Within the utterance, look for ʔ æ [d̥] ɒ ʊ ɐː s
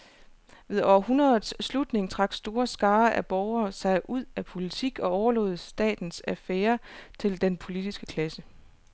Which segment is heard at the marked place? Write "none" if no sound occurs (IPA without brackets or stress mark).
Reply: b̥